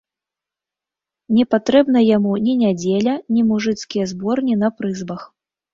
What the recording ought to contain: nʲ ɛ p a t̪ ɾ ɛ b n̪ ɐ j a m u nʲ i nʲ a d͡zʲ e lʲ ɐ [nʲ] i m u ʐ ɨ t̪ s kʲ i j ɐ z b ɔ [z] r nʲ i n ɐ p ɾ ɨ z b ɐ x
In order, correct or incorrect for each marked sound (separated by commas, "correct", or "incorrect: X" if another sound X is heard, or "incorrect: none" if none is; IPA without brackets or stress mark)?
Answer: correct, incorrect: none